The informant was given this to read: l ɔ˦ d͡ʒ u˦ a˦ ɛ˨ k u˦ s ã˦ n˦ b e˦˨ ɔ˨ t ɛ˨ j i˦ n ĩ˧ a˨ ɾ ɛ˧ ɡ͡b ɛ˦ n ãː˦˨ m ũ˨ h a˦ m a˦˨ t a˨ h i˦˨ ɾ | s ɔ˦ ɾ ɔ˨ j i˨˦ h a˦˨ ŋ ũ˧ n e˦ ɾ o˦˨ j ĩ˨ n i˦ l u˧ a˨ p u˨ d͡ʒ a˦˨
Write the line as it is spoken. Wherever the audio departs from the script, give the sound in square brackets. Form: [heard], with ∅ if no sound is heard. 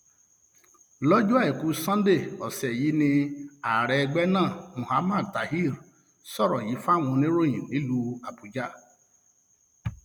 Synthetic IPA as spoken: l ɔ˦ d͡ʒ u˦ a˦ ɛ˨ k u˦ s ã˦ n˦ [d] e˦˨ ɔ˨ [s] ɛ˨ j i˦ n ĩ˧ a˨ ɾ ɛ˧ ɡ͡b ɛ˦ n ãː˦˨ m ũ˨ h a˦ m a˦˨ t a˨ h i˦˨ ɾ | s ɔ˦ ɾ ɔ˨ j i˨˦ [f] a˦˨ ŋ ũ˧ n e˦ ɾ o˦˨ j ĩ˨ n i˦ l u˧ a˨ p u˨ d͡ʒ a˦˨